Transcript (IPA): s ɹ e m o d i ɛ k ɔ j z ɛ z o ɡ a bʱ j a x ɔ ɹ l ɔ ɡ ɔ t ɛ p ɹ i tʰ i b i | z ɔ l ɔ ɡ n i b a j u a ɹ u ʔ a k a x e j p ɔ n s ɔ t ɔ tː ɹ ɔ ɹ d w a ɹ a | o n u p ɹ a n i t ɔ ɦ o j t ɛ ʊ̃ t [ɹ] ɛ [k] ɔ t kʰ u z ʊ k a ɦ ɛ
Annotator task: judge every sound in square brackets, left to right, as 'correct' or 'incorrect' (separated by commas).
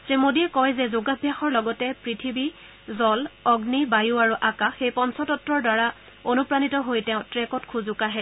correct, correct